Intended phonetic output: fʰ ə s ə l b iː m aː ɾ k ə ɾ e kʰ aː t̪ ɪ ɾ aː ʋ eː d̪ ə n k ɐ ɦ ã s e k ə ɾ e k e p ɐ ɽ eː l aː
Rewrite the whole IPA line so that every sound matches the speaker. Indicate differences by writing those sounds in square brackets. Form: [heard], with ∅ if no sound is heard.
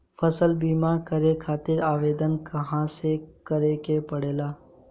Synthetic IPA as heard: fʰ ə s ə l b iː m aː ɾ k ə ɾ e kʰ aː t̪ ɪ ɾ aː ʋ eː d̪ ə n k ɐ ɦ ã s e k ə ɾ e k e p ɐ ɽ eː l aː